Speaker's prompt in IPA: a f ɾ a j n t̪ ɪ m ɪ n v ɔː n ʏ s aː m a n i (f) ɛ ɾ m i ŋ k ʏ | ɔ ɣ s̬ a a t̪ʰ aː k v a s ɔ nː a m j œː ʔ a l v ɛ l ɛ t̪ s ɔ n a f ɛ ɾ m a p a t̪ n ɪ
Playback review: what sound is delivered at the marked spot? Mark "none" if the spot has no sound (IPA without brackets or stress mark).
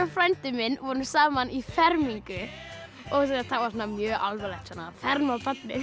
f